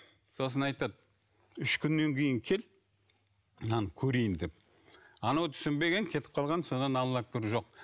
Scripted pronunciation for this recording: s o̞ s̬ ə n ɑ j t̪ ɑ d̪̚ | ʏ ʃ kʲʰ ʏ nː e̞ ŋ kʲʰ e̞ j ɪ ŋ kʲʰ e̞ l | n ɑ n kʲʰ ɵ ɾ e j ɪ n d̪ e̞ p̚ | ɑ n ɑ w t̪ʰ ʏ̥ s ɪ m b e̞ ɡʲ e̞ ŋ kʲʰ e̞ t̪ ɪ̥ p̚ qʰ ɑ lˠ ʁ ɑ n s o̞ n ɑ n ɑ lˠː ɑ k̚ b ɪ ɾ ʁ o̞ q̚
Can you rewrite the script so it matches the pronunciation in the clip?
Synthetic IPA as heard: s o̞ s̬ ə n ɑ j t̪ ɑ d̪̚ | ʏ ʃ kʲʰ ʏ nː e̞ ŋ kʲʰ e̞ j ɪ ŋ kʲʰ e̞ l | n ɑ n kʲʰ ɵ ɾ e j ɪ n d̪ e̞ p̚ | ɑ n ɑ w t̪ʰ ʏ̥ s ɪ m b e̞ ɡʲ e̞ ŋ kʲʰ e̞ t̪ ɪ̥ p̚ qʰ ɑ lˠ ʁ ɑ n s o̞ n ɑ n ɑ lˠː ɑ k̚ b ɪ ɾ ʒ o̞ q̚